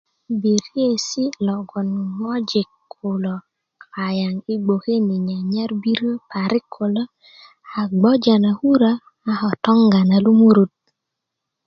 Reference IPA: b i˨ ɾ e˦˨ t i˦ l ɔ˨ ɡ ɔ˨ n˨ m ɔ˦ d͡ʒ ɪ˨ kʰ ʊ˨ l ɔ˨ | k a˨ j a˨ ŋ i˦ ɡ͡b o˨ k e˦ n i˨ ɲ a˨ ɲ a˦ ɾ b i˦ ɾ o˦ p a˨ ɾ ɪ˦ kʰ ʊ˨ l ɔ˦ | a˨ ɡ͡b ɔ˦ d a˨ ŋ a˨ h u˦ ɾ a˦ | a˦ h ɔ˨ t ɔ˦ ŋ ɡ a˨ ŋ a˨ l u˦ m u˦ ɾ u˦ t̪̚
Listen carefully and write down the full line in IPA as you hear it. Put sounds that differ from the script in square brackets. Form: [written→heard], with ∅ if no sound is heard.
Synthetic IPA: b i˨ ɾ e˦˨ [t→s] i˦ l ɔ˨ ɡ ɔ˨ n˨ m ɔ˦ d͡ʒ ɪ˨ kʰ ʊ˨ l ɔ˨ | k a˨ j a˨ ŋ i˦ ɡ͡b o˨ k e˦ n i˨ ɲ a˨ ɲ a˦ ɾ b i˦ ɾ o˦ p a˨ ɾ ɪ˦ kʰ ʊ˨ l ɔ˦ | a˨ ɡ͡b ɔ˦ [d→d͡ʒ] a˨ [ŋ→n] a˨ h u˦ ɾ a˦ | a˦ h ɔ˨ t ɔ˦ ŋ ɡ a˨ [ŋ→n] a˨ l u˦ m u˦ ɾ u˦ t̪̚